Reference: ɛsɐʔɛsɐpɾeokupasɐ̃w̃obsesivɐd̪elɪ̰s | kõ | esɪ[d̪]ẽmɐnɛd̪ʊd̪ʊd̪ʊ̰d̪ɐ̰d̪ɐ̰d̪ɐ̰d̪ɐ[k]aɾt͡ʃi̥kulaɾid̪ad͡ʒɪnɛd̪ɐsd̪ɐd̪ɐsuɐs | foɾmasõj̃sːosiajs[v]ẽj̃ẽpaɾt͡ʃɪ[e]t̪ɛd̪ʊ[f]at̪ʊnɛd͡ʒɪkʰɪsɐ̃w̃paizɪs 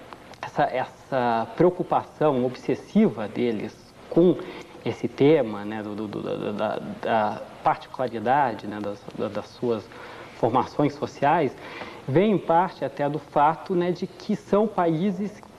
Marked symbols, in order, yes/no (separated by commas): no, no, yes, no, yes